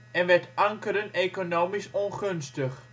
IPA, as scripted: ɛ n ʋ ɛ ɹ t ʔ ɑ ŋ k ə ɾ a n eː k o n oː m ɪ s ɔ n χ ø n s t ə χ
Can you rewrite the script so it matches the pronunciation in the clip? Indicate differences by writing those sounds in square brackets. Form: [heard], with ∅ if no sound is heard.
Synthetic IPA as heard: ɛ n ʋ ɛ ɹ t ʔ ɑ ŋ k ə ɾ [ə] n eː k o n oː m [i] s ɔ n χ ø n s t ə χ